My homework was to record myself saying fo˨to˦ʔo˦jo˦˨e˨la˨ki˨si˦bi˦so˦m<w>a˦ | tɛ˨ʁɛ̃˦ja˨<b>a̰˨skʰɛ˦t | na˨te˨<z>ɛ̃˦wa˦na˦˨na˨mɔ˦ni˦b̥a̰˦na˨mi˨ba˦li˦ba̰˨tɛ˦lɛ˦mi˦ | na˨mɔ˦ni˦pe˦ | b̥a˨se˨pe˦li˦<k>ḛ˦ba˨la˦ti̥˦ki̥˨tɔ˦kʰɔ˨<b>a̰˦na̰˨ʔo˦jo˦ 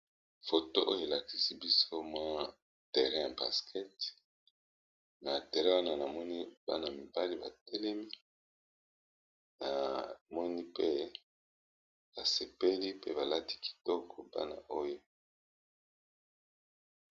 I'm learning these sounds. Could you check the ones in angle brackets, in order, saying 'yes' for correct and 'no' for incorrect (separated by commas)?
yes, yes, no, no, yes